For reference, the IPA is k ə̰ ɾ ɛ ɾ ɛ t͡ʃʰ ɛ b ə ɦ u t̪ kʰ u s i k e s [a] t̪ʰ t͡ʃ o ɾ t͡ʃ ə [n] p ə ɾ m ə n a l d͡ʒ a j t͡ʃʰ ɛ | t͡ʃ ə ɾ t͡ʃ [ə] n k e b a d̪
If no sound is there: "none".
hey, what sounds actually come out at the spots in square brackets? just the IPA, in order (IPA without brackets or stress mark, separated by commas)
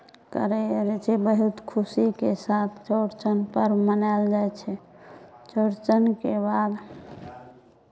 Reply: a, n, ə